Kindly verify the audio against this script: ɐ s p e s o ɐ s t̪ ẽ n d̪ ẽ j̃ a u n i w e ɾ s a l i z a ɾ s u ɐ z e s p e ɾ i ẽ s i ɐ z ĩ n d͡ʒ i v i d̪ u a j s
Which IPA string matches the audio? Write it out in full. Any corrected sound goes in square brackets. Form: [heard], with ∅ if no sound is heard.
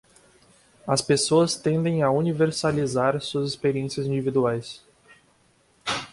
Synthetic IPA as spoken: ɐ s p e s o ɐ s t̪ ẽ n d̪ ẽ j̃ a u n i [v] e ɾ s a l i z a ɾ s u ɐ z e s p e ɾ i ẽ s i ɐ z ĩ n d͡ʒ i v i d̪ u a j s